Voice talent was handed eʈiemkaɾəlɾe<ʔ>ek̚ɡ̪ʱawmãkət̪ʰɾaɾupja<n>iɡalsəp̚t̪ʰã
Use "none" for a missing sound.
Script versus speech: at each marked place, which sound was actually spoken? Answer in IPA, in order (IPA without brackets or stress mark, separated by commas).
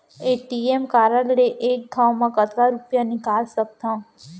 ʔ, n